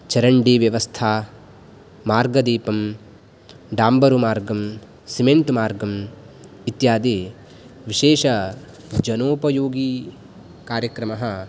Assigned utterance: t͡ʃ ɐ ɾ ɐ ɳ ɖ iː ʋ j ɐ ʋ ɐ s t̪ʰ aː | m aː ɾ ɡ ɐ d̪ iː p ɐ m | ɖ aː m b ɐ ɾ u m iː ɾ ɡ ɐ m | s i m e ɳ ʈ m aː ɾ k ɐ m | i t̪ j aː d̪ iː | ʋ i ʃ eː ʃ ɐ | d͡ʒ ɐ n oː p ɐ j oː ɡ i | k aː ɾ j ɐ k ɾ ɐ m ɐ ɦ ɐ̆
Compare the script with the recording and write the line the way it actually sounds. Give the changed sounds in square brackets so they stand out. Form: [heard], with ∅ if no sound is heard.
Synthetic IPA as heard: t͡ʃ ɐ ɾ ɐ ɳ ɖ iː ʋ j ɐ ʋ ɐ s t̪ʰ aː | m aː ɾ ɡ ɐ d̪ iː p ɐ m | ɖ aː m b ɐ ɾ u m [aː] ɾ ɡ ɐ m | s i m e ɳ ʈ m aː ɾ [ɡ] ɐ m | i t̪ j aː d̪ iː | ʋ i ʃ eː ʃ ɐ | d͡ʒ ɐ n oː p ɐ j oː ɡ i | k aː ɾ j ɐ k ɾ ɐ m ɐ ɦ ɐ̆